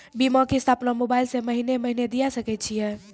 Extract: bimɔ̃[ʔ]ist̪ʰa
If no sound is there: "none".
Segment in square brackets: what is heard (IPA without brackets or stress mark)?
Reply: k